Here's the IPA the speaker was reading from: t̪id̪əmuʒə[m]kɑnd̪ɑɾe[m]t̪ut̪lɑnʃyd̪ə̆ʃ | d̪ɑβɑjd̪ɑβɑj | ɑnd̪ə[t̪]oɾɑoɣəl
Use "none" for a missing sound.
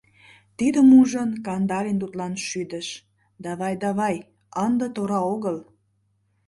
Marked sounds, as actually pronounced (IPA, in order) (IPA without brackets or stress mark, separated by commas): n, n, t̪